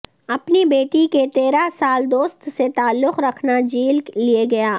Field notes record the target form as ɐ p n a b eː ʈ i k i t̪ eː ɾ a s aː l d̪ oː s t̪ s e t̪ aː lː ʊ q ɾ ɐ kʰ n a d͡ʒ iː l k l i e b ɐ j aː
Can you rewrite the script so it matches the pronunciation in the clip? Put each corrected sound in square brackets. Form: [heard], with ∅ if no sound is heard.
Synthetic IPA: ɐ p n [i] b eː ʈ i k [e] t̪ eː ɾ a s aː l d̪ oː s t̪ s e t̪ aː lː ʊ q ɾ ɐ kʰ n a d͡ʒ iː l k l i e [ɡ] ɐ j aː